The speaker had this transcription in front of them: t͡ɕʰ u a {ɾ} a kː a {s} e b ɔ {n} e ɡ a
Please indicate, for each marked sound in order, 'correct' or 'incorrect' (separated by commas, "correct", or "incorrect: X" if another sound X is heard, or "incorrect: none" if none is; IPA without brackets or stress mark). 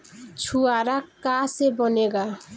correct, correct, correct